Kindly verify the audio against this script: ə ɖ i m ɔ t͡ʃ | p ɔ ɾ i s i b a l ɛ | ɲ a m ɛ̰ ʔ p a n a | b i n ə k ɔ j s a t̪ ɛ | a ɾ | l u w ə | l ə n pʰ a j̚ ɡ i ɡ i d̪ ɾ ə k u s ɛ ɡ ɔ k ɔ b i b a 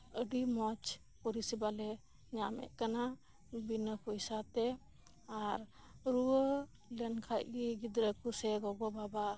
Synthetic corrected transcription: ə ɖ i m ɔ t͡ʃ | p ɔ ɾ i s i b a l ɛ | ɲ a m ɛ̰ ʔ k a n a | b i n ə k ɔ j s a t̪ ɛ | a ɾ | ɾ u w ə | l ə n kʰ a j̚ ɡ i ɡ i d̪ ɾ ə k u s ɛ ɡ ɔ ɡ ɔ b a b a